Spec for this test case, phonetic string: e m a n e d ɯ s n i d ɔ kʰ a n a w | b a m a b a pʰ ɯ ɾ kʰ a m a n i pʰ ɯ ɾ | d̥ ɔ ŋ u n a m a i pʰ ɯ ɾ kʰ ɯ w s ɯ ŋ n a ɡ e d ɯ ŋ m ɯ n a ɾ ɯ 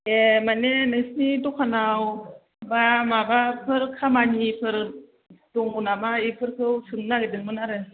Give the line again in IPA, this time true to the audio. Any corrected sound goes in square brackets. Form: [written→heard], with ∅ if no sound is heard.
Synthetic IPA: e m a n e [d→n] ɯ s n i d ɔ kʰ a n a w | b a m a b a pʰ ɯ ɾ kʰ a m a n i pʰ ɯ ɾ | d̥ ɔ ŋ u n a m a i pʰ ɯ ɾ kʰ ɯ w s ɯ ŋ n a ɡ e d ɯ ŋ m ɯ n a ɾ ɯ